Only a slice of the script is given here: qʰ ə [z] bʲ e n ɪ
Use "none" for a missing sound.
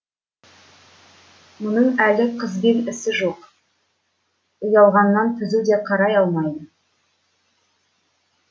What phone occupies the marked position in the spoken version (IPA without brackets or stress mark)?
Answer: z